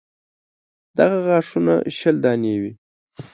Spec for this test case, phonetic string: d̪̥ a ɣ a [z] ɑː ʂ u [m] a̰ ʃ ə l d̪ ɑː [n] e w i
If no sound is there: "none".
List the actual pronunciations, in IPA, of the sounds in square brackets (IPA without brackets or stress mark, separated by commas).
ɣ, n, n